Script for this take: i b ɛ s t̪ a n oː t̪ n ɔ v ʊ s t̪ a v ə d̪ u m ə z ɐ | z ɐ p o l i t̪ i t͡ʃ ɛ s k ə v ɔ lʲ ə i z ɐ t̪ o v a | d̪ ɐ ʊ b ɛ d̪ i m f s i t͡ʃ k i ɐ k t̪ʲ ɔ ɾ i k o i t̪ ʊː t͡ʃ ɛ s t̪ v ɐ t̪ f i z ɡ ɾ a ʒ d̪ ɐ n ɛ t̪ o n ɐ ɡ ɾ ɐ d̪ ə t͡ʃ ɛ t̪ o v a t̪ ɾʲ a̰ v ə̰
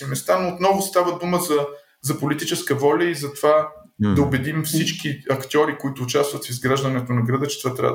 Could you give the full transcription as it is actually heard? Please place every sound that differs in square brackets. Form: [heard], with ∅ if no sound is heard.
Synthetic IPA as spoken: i [m] ɛ s t̪ a n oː t̪ n ɔ v ʊ s t̪ a v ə d̪ u m ə z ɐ | z ɐ p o l i t̪ i t͡ʃ ɛ s k ə v ɔ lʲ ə i z ɐ t̪ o v a | d̪ ɐ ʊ b ɛ d̪ i m f s i t͡ʃ k i ɐ k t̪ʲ ɔ ɾ i k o i t̪ ʊː t͡ʃ [a] s t̪ v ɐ t̪ f i z ɡ ɾ a ʒ d̪ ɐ n ɛ t̪ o n ɐ ɡ ɾ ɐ d̪ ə t͡ʃ ɛ t̪ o v a t̪ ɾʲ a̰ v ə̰